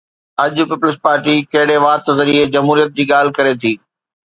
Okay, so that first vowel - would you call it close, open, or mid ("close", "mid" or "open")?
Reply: open